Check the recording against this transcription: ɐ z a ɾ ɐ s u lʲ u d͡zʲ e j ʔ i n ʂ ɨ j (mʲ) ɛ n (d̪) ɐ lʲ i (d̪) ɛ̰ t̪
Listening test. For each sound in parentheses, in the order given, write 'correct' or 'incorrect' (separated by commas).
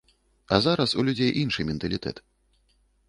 correct, incorrect, incorrect